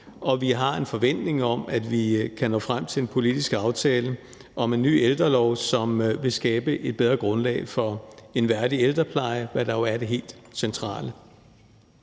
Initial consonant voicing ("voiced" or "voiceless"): voiced